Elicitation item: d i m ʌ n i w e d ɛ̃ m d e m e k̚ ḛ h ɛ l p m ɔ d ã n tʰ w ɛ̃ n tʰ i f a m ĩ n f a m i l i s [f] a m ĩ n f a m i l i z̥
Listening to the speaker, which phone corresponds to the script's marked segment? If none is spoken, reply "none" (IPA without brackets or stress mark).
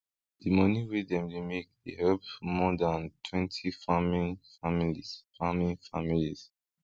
f